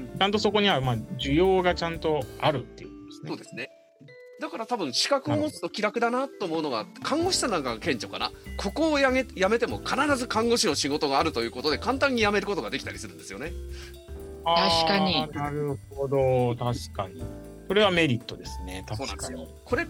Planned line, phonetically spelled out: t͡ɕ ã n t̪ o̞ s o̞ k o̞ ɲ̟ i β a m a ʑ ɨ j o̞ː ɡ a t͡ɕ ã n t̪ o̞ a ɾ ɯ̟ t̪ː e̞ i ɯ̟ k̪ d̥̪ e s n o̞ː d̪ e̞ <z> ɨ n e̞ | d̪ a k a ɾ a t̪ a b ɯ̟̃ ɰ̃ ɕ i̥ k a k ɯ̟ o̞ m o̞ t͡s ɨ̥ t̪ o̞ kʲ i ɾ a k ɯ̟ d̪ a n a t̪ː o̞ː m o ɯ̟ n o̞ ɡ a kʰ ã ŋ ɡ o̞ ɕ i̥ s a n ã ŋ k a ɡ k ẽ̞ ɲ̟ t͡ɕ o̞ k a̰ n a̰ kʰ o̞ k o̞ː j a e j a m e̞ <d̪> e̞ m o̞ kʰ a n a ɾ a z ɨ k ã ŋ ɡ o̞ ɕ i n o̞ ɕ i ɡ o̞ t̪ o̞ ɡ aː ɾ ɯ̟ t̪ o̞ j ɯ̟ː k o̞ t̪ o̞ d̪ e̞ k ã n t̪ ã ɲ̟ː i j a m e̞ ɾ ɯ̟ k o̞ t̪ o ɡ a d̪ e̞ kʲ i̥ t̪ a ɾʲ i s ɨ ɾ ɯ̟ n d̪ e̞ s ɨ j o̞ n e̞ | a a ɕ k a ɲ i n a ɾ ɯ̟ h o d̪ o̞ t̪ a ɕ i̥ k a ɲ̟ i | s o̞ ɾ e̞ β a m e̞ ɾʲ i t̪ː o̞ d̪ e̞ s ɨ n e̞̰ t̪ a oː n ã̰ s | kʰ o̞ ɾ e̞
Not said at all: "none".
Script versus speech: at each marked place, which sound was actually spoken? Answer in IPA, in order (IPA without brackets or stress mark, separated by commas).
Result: s, t̪